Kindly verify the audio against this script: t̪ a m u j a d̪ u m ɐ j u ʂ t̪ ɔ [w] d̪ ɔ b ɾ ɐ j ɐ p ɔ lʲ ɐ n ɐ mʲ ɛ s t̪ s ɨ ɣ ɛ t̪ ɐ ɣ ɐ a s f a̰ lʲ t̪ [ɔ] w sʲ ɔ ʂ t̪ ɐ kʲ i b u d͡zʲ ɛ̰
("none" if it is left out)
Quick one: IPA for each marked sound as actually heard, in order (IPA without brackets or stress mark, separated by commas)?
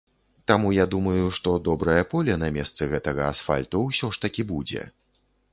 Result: none, u